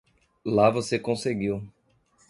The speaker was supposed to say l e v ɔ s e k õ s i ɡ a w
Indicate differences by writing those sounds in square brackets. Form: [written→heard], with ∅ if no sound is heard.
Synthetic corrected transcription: l [e→a] v [ɔ→o] s e k õ s [i→e] ɡ [a→i] w